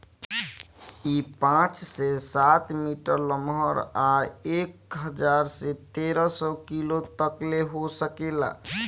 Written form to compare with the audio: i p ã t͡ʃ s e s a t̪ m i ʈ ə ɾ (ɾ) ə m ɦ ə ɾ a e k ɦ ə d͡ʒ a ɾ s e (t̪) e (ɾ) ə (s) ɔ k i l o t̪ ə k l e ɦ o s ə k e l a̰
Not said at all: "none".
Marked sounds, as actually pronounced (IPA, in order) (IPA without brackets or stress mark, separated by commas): l, t̪, ɾ, s